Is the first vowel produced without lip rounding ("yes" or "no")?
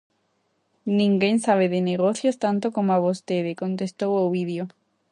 yes